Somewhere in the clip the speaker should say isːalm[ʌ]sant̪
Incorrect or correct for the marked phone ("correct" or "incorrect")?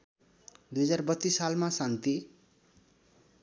incorrect